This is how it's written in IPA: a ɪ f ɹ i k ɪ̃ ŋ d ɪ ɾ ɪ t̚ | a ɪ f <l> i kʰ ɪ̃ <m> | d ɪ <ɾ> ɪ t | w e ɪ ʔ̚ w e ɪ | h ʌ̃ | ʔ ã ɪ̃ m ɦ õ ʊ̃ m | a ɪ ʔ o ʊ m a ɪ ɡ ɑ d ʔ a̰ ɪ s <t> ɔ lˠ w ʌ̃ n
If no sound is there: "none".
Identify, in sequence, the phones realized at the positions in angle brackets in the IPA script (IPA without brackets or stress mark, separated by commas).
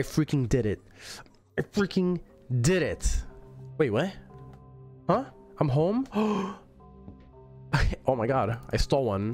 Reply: ɹ, ŋ, ɾ, t